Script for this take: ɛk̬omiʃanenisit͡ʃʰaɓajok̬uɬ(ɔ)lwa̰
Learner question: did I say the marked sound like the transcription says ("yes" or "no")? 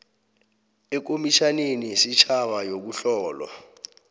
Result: no